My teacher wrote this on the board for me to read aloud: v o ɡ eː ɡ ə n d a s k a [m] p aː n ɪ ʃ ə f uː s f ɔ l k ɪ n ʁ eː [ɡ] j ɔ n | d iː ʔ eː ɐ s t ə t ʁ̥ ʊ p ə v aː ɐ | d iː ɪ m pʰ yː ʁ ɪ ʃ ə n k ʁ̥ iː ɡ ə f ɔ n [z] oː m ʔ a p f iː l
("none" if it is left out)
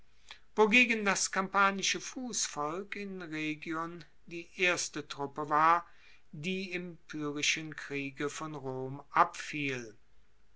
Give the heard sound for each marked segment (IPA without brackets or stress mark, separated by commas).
m, ɡ, ʁ